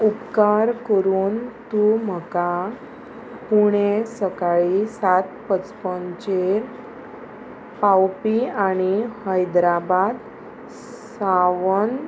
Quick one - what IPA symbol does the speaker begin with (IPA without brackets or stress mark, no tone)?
u